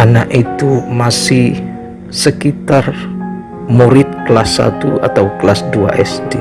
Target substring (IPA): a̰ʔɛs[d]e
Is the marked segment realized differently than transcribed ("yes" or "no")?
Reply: no